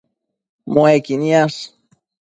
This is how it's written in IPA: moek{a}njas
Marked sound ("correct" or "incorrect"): incorrect